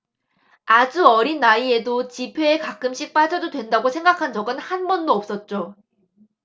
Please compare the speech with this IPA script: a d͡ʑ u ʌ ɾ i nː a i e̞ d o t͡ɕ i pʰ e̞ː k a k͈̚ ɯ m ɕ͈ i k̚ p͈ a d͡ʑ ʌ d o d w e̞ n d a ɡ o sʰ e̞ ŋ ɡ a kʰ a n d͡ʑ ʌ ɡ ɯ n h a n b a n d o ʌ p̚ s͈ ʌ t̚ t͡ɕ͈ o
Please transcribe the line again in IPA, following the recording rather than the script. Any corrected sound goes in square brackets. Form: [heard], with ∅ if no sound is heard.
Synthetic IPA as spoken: a d͡ʑ u ʌ ɾ i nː a i e̞ d o t͡ɕ i pʰ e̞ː k a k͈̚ ɯ m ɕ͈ i k̚ p͈ a d͡ʑ ʌ d o d w e̞ n d a ɡ o sʰ e̞ ŋ ɡ a kʰ a n d͡ʑ ʌ ɡ ɯ n h a n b [ʌ] n d o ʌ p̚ s͈ ʌ t̚ t͡ɕ͈ o